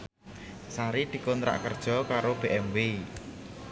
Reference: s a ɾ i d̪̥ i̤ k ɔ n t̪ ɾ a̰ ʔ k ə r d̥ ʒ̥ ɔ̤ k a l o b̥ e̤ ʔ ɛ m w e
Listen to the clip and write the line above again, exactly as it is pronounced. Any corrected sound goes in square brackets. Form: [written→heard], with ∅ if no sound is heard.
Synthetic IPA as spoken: s a ɾ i d̪̥ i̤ k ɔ n t̪ ɾ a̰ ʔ k ə r d̥ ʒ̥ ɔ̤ k a [l→ɾ] o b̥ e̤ ʔ ɛ m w e